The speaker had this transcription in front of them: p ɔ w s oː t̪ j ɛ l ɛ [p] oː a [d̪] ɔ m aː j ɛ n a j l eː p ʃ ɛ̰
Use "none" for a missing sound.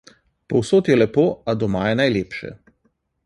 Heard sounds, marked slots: p, d̪

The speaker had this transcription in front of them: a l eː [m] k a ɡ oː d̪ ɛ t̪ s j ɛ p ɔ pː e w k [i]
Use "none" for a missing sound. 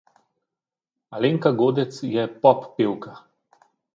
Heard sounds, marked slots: ŋ, a

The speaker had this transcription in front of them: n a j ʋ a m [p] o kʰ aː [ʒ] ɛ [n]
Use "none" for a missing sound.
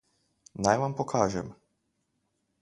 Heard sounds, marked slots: p, ʒ, m

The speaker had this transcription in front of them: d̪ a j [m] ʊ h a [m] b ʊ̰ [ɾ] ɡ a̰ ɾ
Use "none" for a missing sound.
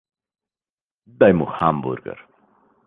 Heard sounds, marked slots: m, m, ɾ

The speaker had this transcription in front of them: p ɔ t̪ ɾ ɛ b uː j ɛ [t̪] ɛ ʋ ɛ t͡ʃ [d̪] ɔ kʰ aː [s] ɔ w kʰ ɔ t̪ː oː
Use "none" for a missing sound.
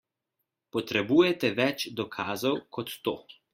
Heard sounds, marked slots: t̪, d̪, z

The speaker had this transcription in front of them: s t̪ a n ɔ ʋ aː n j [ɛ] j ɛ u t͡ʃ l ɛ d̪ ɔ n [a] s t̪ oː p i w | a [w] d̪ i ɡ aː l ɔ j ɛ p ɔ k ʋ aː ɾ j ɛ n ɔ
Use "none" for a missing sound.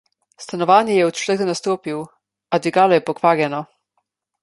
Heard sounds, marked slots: ɛ, a, none

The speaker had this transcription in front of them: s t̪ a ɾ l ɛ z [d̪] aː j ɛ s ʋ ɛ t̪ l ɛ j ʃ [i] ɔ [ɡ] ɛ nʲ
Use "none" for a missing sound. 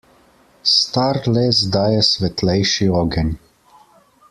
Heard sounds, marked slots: d̪, i, ɡ

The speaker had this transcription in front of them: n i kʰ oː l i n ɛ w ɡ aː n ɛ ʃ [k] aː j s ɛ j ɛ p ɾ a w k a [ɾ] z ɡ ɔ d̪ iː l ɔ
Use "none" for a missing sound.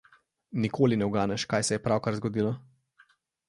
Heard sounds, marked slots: k, ɾ

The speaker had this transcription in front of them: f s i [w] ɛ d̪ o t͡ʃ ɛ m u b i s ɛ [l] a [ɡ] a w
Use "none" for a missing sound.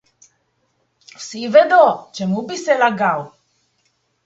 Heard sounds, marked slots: v, l, ɡ

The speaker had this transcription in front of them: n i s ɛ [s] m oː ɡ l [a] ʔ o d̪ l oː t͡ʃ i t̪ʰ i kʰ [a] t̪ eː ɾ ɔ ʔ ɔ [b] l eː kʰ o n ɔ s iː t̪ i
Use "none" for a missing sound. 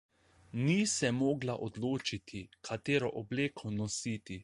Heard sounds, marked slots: none, a, a, b

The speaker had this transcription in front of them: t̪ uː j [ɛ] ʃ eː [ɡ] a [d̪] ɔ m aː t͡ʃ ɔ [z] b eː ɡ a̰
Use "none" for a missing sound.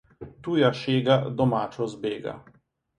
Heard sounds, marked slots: a, ɡ, d̪, z

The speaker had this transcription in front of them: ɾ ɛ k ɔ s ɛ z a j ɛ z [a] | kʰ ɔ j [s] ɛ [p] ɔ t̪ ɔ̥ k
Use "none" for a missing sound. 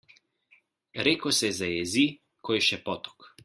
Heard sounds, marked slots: i, ʃ, p

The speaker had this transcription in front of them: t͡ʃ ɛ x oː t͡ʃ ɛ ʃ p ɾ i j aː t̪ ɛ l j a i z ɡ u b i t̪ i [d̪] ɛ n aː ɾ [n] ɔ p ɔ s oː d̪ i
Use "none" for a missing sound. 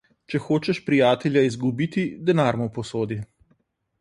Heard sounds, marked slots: d̪, m

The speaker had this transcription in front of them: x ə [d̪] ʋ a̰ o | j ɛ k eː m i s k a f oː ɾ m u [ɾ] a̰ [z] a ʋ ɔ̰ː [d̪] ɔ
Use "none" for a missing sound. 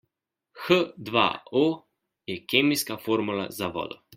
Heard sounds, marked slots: d̪, l, z, d̪

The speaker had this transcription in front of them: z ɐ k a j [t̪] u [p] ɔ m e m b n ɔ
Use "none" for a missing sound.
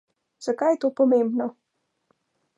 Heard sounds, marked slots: t̪, p

